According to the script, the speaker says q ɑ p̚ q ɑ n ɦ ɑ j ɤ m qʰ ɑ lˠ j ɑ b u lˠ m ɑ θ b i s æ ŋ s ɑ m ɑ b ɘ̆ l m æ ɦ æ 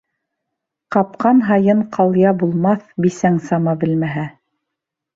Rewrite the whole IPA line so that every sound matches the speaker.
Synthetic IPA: q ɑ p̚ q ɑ n ɦ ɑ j ɤ ɴ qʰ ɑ lˠ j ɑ b u lˠ m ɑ θ b i s æ ŋ s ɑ m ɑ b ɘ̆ l m æ ɦ æ